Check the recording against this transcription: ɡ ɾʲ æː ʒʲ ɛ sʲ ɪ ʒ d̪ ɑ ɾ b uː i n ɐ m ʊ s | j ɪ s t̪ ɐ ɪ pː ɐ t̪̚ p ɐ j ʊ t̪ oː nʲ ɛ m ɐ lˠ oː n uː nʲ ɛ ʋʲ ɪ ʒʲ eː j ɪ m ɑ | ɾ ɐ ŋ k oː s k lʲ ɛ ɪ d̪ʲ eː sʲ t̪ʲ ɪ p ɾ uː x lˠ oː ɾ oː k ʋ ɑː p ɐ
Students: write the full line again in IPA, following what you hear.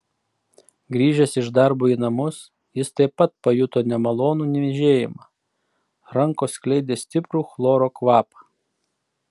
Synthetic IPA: ɡ ɾʲ iː ʒʲ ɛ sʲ ɪ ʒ d̪ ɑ ɾ b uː i n ɐ m ʊ s | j ɪ s t̪ ɐ ɪ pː ɐ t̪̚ p ɐ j ʊ t̪ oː nʲ ɛ m ɐ lˠ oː n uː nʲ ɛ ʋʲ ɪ ʒʲ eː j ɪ m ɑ | ɾ ɐ ŋ k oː s k lʲ ɛ ɪ d̪ʲ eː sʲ t̪ʲ ɪ p ɾ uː x lˠ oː ɾ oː k ʋ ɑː p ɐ

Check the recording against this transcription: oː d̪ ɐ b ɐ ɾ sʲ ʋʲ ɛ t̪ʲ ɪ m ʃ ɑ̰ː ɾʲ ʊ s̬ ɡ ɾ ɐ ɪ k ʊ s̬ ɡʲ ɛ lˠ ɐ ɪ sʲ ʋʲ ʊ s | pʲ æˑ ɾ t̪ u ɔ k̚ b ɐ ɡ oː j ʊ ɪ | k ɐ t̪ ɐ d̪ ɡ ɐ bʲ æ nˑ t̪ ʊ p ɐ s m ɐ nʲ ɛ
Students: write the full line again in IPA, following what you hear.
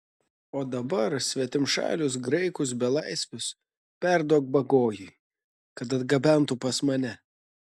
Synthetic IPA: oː d̪ ɐ b ɐ ɾ sʲ ʋʲ ɛ t̪ʲ ɪ m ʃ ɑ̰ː lʲ ʊ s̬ ɡ ɾ ɐ ɪ k ʊ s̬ bʲ ɛ lˠ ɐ ɪ sʲ ʋʲ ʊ s | pʲ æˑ ɾ d̪ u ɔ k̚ b ɐ ɡ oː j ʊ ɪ | k ɐ t̪ ɐ d̪ ɡ ɐ bʲ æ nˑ t̪ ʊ p ɐ s m ɐ nʲ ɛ

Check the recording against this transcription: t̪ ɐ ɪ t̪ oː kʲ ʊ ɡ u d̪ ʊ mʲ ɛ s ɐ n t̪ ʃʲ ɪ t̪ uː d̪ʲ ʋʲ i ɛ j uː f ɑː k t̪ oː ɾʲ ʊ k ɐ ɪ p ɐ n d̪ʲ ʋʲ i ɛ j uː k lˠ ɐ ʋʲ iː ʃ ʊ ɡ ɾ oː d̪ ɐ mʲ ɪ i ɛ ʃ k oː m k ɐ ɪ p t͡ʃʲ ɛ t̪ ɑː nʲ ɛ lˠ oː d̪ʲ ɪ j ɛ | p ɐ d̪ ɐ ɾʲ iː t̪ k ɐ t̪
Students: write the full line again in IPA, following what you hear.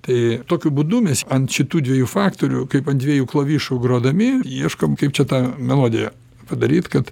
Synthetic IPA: t̪ ɐ ɪ t̪ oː kʲ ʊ b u d̪ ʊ mʲ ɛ s ɐ n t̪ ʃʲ ɪ t̪ uː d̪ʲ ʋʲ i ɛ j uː f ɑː k t̪ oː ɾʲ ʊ k ɐ ɪ p ɐ n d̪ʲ ʋʲ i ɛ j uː k lˠ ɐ ʋʲ iː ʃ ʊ ɡ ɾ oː d̪ ɐ mʲ ɪ i ɛ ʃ k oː m k ɐ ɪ p t͡ʃʲ ɛ t̪ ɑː mʲ ɛ lˠ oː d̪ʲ ɪ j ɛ | p ɐ d̪ ɐ ɾʲ iː t̪ k ɐ t̪

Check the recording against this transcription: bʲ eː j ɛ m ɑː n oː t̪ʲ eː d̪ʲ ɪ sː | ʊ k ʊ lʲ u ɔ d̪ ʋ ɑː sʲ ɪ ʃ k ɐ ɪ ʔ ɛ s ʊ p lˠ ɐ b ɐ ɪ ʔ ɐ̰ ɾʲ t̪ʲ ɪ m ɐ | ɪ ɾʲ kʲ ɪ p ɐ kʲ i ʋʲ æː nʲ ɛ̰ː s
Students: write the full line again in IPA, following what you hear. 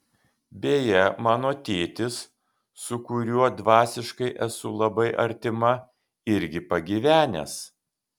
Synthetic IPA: bʲ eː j ɛ m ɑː n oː t̪ʲ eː t̪ʲ ɪ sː | ʊ k ʊ ɾʲ u ɔ d̪ ʋ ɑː sʲ ɪ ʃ k ɐ ɪ ʔ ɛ s ʊ lˠ ɐ b ɐ ɪ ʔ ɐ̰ ɾʲ t̪ʲ ɪ m ɐ | ɪ ɾʲ ɡʲ ɪ p ɐ ɡʲ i ʋʲ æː nʲ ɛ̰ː s

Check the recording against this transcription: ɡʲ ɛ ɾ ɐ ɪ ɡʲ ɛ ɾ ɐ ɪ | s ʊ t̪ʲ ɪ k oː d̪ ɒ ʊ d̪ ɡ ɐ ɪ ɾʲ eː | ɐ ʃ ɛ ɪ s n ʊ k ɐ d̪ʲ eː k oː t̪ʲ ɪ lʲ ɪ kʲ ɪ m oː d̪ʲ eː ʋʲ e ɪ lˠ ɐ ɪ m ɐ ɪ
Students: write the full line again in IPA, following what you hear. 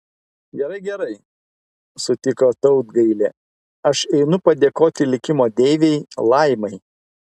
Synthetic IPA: ɡʲ ɛ ɾ ɐ ɪ ɡʲ ɛ ɾ ɐ ɪ | s ʊ t̪ʲ ɪ k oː t̪ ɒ ʊ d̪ ɡ ɐ ɪ lʲ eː | ɐ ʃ ɛ ɪ n ʊ p ɐ d̪ʲ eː k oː t̪ʲ ɪ lʲ ɪ kʲ ɪ m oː d̪ʲ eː ʋʲ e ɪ lˠ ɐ ɪ m ɐ ɪ

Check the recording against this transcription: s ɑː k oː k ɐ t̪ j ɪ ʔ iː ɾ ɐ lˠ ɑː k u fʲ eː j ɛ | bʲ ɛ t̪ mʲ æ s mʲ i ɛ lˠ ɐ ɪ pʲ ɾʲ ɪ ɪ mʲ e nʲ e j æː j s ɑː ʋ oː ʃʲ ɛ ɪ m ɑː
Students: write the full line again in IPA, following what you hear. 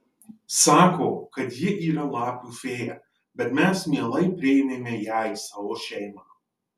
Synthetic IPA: s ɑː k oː k ɐ t̪ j ɪ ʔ iː ɾ ɐ lˠ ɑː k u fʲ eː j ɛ | bʲ ɛ t̪ mʲ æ s mʲ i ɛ lˠ ɐ ɪ pʲ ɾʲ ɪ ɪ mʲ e mʲ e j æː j s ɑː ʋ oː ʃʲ ɛ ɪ m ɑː

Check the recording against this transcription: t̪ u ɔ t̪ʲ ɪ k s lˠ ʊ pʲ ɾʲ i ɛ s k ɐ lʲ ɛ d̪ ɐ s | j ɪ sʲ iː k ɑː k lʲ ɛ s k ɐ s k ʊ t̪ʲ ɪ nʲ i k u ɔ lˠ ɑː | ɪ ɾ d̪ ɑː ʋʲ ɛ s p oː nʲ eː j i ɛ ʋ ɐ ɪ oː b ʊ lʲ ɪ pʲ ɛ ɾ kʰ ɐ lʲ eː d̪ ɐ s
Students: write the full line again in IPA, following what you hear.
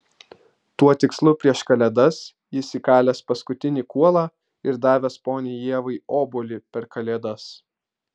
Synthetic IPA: t̪ u ɔ t̪ʲ ɪ k s lˠ ʊ pʲ ɾʲ i ɛ ʃ k ɐ lʲ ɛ d̪ ɐ s | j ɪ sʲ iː k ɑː lʲ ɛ s p ɐ s k ʊ t̪ʲ ɪ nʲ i k u ɔ lˠ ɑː | ɪ ɾ d̪ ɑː ʋʲ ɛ s p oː nʲ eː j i ɛ ʋ ɐ ɪ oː b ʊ lʲ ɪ pʲ ɛ ɾ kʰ ɐ lʲ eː d̪ ɐ s

